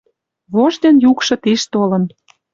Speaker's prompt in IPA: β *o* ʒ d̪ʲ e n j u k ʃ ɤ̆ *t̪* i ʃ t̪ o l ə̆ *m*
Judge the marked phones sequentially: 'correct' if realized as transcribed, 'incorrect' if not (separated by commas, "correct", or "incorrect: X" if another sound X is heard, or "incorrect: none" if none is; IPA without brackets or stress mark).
correct, correct, incorrect: n